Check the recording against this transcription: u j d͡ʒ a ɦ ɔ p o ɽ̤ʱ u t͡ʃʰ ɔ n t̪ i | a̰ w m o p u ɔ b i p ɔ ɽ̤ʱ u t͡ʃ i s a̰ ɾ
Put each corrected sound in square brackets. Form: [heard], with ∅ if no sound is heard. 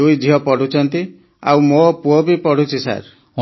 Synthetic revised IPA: u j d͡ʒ [i] ɦ ɔ p [ɔ] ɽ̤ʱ u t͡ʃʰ ɔ n t̪ i | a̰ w m o p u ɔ b i p ɔ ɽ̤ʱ u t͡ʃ i s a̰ ɾ

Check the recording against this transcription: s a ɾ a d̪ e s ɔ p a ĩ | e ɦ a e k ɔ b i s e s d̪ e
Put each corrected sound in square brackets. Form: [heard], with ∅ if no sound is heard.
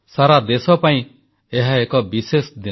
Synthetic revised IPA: s a ɾ a d̪ e s ɔ p a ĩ | e ɦ a e k ɔ b i s e s d̪ [i]

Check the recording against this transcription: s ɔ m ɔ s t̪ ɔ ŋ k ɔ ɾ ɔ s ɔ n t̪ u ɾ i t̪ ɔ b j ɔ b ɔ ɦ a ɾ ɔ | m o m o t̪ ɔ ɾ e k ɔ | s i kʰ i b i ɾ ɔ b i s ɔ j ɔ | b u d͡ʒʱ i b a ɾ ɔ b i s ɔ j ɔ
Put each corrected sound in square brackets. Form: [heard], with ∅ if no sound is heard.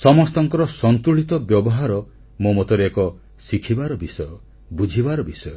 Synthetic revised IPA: s ɔ m ɔ s t̪ ɔ ŋ k ɔ ɾ ɔ s ɔ n t̪ u [ɭ] i t̪ ɔ b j ɔ b ɔ ɦ a ɾ ɔ | m o m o t̪ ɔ ɾ e k ɔ | s i kʰ i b [a] ɾ ɔ b i s ɔ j ɔ | b u d͡ʒʱ i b a ɾ ɔ b i s ɔ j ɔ

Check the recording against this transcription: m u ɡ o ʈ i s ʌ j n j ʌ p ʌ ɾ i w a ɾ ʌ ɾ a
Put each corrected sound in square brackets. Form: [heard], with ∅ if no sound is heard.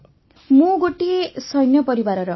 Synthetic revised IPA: m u ɡ o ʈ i s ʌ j n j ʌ p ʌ ɾ i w a ɾ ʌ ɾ [ʌ]

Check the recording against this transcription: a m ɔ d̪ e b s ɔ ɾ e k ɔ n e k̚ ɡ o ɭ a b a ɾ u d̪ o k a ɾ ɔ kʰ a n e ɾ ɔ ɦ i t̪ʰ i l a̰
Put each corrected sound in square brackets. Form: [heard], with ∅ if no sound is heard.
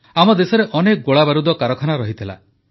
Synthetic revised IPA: a m ɔ d̪ e [∅] s ɔ ɾ e [ʔ] ɔ n e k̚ ɡ o ɭ a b a ɾ u d̪ [ɔ] k a ɾ ɔ kʰ a n [a] ɾ ɔ ɦ i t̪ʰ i l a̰

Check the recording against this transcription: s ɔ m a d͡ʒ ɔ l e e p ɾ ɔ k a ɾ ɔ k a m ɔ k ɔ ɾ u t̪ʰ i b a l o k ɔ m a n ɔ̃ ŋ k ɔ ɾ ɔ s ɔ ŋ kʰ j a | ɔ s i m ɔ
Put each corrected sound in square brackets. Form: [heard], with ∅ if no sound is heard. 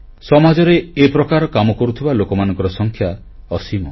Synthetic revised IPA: s ɔ m a d͡ʒ ɔ [ɾ] e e p ɾ ɔ k a ɾ ɔ k a m ɔ k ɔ ɾ u t̪ʰ i b a l o k ɔ m a n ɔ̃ ŋ k ɔ ɾ ɔ s ɔ ŋ kʰ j a | ɔ s i m ɔ

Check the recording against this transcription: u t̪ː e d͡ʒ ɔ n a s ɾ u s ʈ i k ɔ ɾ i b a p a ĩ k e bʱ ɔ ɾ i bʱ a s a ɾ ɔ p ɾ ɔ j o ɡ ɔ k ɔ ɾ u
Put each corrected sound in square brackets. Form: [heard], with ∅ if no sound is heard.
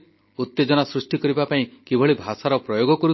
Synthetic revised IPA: u t̪ː e d͡ʒ ɔ n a s ɾ u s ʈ i k ɔ ɾ i b a p a ĩ k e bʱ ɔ [ɭ] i bʱ a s a ɾ ɔ p ɾ ɔ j o ɡ ɔ k ɔ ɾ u

